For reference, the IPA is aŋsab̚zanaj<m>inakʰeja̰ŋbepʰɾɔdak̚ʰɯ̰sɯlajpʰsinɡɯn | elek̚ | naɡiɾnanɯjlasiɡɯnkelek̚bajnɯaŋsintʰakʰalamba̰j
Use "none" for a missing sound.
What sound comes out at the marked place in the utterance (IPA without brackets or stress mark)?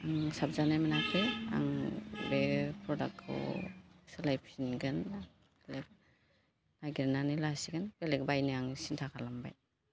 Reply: m